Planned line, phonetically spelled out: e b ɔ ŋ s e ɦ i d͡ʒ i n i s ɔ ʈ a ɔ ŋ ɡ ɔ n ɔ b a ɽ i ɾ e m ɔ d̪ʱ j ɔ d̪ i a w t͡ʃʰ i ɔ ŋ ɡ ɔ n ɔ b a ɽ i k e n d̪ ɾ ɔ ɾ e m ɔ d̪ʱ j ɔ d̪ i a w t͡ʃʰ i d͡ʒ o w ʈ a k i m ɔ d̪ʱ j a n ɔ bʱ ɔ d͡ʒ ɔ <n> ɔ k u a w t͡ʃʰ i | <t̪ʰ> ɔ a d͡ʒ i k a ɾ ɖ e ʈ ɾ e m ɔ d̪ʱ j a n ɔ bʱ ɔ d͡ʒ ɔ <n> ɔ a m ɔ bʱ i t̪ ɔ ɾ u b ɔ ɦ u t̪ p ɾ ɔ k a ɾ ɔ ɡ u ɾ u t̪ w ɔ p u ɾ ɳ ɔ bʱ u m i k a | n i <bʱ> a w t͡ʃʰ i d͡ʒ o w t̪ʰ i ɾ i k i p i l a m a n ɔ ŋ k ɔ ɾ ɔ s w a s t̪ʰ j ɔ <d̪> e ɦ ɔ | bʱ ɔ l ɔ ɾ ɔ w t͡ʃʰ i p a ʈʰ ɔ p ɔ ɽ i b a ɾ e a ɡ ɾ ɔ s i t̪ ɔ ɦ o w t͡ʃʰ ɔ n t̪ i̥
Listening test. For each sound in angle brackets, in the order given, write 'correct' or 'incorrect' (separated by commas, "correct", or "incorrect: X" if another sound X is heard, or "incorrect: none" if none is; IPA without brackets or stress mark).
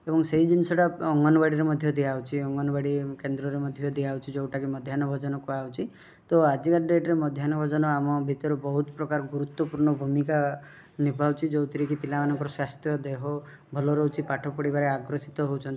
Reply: correct, incorrect: t̪, correct, correct, correct